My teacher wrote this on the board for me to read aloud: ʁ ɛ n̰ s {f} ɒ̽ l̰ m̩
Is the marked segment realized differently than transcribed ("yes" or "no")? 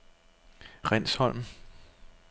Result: yes